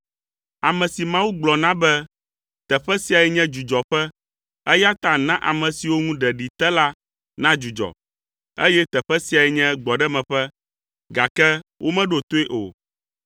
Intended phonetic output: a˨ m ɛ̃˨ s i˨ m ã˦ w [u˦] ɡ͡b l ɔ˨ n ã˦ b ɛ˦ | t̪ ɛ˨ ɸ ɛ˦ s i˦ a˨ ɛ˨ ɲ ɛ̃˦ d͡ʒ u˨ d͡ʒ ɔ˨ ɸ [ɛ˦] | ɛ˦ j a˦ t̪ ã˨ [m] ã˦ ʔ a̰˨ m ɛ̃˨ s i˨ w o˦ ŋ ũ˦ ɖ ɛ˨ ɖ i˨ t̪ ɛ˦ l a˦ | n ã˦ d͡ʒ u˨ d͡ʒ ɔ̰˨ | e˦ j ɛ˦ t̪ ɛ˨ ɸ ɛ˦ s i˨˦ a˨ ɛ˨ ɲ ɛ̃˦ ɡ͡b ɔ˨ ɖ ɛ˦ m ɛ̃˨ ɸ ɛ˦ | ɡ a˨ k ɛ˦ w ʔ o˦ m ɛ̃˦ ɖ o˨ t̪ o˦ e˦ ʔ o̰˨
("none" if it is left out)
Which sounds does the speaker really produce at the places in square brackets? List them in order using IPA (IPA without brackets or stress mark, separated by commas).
u˦, ɛ˦, n